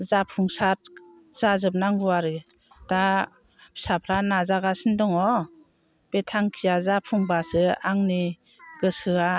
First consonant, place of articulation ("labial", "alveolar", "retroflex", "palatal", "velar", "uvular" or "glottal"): alveolar